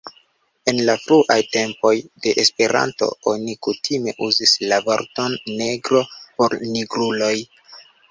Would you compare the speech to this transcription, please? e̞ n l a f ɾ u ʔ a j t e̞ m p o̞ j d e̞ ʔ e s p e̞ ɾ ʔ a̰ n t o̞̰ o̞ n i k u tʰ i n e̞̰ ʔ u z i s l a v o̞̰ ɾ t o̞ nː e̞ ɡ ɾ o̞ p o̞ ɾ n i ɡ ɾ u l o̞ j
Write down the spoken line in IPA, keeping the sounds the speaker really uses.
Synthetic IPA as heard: e̞ n l a f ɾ u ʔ a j t e̞ m p o̞ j d e̞ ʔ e s p e̞ ɾ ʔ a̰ n t o̞̰ o̞ n i k u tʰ i m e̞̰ ʔ u z i s l a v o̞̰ ɾ t o̞ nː e̞ ɡ ɾ o̞ p o̞ ɾ n i ɡ ɾ u l o̞ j

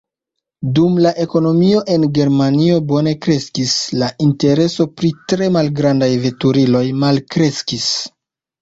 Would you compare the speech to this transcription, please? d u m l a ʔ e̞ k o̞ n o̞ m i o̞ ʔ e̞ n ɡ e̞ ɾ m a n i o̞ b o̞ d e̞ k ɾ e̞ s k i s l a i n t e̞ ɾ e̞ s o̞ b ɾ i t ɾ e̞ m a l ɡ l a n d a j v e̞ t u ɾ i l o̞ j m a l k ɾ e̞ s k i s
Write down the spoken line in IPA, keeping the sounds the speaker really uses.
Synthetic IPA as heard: d u m l a ʔ e̞ k o̞ n o̞ m i o̞ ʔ e̞ n ɡ e̞ ɾ m a n i o̞ b o̞ n e̞ k ɾ e̞ s k i s l a i n t e̞ ɾ e̞ s o̞ p ɾ i t ɾ e̞ m a l ɡ ɾ a n d a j v e̞ t u ɾ i l o̞ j m a l k ɾ e̞ s k i s

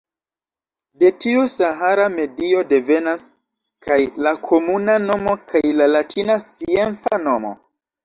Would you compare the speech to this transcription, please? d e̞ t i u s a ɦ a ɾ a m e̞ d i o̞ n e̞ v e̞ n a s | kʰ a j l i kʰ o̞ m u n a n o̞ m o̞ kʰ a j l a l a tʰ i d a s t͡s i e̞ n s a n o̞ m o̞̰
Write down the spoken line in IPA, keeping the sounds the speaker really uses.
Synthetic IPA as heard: d e̞ t i u s a ɦ a ɾ a m e̞ d i o̞ d e̞ v e̞ n a s | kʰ a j l a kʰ o̞ m u n a n o̞ m o̞ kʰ a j l a l a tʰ i n a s t͡s i e̞ n t͡s a n o̞ m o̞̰

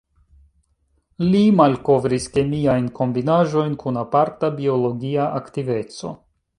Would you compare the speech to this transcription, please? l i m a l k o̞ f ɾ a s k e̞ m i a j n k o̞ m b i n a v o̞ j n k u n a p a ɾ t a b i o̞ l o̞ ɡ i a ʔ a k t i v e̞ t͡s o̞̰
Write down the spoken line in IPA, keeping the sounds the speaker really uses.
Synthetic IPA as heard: l i m a l k o̞ v ɾ i s k e̞ m i a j n k o̞ m b i n a ʒ o̞ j n k u n a p a ɾ t a b i o̞ l o̞ ɡ i a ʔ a k t i v e̞ t͡s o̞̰

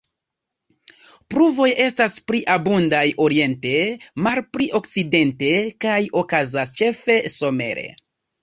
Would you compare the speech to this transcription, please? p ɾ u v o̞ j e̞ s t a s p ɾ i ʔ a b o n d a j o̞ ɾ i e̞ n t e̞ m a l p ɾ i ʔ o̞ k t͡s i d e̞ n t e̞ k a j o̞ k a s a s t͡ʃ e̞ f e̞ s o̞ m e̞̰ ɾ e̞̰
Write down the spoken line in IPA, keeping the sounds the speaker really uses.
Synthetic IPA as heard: p ɾ u v o̞ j e̞ s t a s p ɾ i ʔ a b u n d a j o̞ ɾ i e̞ n t e̞ m a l p ɾ i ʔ o̞ k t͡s i d e̞ n t e̞ k a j o̞ k a z a s t͡ʃ e̞ f e̞ s o̞ m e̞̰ ɾ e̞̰

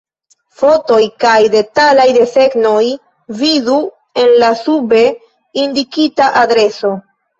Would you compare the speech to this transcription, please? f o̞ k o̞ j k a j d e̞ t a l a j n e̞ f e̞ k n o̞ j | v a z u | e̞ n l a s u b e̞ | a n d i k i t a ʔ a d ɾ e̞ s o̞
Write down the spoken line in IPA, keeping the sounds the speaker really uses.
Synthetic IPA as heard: f o̞ t o̞ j k a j d e̞ t a l a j d e̞ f e̞ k n o̞ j | v i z u | e̞ n l a s u b e̞ | i n d i k i t a ʔ a d ɾ e̞ s o̞

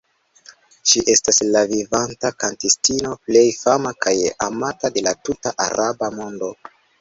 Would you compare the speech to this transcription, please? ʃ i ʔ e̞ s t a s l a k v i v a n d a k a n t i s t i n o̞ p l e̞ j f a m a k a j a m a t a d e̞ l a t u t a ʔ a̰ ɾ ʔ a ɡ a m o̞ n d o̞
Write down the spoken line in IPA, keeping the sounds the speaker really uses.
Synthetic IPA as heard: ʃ i ʔ e̞ s t a s l a v i v a n t a k a n t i s t i n o̞ p l e̞ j f a m a k a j a m a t a d e̞ l a t u t a ʔ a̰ ɾ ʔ a b a m o̞ n d o̞

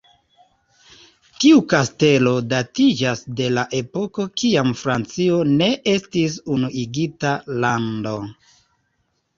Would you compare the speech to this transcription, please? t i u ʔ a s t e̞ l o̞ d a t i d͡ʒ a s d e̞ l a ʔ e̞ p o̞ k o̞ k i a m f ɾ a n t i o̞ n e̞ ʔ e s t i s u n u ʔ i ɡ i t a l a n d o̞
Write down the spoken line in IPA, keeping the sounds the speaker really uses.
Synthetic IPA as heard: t i u k a s t e̞ l o̞ d a t i d͡ʒ a s d e̞ l a ʔ e̞ p o̞ k o̞ k i a m f ɾ a n t͡s i o̞ n e̞ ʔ e s t i s u n u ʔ i ɡ i t a l a n d o̞

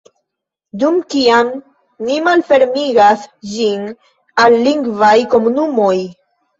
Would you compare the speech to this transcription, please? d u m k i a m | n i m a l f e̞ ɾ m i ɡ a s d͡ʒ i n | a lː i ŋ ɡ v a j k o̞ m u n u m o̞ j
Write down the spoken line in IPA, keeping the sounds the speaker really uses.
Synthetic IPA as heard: d u m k i a m | n i m a l f e̞ ɾ m i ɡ a s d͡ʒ i n | a lː i ŋ ɡ v a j k o̞ m u n u m o̞ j

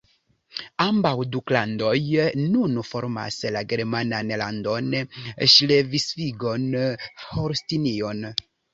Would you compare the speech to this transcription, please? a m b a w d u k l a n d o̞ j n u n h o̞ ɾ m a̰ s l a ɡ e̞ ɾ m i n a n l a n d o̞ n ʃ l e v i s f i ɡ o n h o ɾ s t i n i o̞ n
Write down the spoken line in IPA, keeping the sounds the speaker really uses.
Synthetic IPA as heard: a m b a w d u k l a n d o̞ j n u n f o̞ ɾ m a̰ s l a ɡ e̞ ɾ m a n a n l a n d o̞ n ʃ l e v i s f i ɡ o n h o ɾ s t i n i o̞ n

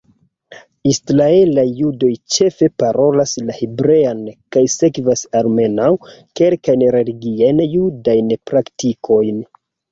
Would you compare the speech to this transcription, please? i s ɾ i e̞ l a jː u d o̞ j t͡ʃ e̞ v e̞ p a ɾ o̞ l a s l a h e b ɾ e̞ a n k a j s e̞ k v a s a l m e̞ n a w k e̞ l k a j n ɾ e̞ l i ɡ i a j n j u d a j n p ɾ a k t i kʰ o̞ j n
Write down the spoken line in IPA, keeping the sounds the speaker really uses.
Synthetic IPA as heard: i s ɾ a e̞ l a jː u d o̞ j t͡ʃ e̞ f e̞ p a ɾ o̞ l a s l a h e b ɾ e̞ a n k a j s e̞ k v a s a l m e̞ n a w k e̞ l k a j n ɾ e̞ l i ɡ i a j n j u d a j n p ɾ a k t i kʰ o̞ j n

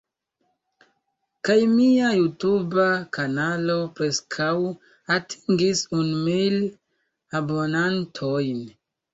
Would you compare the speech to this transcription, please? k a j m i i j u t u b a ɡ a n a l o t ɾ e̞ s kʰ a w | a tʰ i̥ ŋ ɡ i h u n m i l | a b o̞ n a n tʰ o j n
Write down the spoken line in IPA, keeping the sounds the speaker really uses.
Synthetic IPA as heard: k a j m i a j u t u b a k a n a l o p ɾ e̞ s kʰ a w | a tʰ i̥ ŋ ɡ i s u n m i l | a b o̞ n a n tʰ o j n

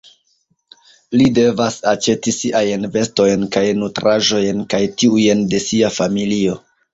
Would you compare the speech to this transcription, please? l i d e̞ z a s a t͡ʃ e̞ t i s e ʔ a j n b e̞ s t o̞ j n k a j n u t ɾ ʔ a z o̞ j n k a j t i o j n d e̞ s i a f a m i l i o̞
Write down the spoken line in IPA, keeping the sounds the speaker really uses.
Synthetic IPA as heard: l i d e̞ v a s a t͡ʃ e̞ t i s i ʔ a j n v e̞ s t o̞ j n k a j n u t ɾ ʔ a ʒ o̞ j n k a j t i u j n d e̞ s i a f a m i l i o̞

